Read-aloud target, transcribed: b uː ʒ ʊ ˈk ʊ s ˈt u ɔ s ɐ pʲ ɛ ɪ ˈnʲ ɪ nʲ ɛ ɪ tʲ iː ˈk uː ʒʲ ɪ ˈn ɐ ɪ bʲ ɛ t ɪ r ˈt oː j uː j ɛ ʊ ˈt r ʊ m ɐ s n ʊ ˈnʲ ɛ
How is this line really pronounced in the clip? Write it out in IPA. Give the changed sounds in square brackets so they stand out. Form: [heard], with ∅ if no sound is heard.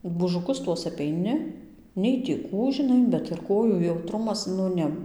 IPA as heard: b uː ʒ ʊ ˈk ʊ s ˈt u ɔ s ɐ pʲ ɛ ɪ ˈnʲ ɪ nʲ ɛ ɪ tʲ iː ˈk uː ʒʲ ɪ ˈn ɐ ɪ bʲ ɛ t ɪ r [ˈk] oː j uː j ɛ ʊ ˈt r ʊ m ɐ s n ʊ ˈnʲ ɛ